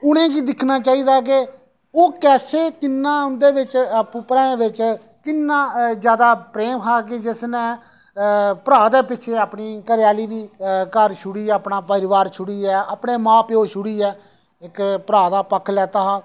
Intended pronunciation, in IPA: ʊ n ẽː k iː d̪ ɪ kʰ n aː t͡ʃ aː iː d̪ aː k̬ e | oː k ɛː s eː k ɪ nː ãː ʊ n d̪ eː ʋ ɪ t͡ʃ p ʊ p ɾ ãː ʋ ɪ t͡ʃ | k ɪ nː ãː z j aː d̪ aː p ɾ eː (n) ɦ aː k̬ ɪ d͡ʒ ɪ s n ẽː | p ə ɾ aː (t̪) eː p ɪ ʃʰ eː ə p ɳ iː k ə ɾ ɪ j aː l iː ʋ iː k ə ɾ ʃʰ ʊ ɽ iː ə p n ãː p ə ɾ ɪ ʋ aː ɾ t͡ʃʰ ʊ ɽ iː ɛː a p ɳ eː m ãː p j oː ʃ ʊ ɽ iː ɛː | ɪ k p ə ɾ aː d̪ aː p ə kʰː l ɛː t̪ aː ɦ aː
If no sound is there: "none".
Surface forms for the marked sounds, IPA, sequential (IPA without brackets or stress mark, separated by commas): m, d̪